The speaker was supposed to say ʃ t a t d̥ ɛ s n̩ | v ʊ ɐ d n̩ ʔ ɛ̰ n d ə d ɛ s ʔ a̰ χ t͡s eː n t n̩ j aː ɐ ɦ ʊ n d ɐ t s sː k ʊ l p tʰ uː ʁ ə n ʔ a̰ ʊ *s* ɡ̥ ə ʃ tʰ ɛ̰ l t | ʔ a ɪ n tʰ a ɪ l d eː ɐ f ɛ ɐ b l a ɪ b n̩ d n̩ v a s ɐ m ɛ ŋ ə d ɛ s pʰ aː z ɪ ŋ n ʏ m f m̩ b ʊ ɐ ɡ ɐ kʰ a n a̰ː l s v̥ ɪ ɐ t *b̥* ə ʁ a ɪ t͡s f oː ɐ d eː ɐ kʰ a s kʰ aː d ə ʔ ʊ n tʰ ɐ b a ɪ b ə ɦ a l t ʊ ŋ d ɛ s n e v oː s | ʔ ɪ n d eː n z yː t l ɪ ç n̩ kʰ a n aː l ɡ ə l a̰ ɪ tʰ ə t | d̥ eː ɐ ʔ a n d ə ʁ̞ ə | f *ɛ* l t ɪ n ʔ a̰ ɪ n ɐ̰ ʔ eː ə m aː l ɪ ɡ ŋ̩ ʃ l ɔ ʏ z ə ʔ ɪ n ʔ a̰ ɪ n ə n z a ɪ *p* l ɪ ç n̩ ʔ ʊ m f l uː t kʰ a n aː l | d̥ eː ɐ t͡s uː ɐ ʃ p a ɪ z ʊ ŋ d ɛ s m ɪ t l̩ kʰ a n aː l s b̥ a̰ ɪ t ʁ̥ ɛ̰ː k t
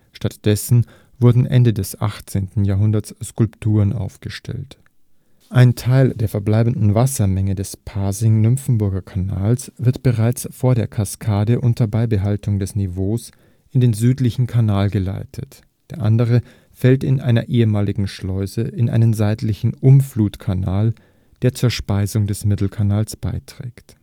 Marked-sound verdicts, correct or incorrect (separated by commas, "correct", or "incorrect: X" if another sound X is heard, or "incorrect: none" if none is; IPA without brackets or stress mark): incorrect: f, correct, correct, incorrect: t